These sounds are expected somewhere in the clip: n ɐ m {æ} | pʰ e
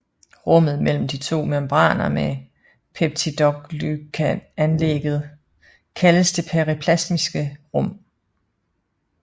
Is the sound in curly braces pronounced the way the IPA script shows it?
no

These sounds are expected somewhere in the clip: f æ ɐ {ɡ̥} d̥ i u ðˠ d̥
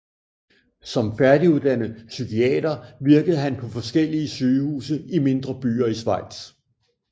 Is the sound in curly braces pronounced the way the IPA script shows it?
no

